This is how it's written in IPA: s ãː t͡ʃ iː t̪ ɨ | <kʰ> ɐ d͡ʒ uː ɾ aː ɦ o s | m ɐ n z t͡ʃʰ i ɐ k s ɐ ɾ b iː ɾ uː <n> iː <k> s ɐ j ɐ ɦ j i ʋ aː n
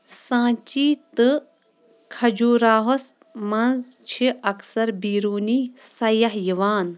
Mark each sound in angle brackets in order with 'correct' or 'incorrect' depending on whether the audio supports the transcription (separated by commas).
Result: correct, correct, incorrect